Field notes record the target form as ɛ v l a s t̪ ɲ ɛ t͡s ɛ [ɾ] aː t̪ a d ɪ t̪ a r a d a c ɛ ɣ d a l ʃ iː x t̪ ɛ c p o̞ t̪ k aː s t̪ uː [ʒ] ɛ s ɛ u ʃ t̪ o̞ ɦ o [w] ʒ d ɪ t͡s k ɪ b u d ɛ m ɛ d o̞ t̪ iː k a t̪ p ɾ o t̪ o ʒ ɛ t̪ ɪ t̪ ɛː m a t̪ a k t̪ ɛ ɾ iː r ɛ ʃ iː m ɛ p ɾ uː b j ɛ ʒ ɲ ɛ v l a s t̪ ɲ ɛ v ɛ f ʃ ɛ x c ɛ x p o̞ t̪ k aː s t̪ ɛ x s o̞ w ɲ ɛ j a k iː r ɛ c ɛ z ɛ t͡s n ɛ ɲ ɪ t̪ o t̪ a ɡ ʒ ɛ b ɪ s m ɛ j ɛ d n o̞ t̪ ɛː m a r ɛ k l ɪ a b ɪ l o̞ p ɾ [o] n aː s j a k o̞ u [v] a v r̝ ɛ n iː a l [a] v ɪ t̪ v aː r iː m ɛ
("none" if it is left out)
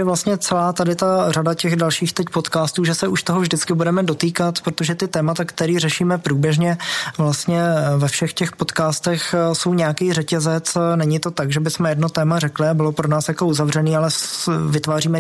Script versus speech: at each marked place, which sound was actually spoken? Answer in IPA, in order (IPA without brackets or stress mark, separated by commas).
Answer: l, ʒ, v, o, z, ɛ